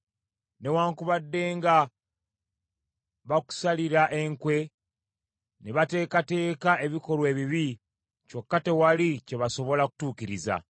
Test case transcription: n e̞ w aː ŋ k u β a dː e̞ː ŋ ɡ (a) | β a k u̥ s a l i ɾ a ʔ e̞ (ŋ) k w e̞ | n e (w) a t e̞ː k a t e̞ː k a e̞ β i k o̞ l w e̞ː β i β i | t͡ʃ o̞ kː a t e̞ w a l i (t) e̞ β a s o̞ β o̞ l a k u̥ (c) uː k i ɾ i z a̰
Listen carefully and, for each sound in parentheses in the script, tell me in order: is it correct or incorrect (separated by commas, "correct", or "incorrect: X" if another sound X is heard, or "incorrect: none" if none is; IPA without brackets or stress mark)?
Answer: correct, correct, incorrect: β, incorrect: c, incorrect: t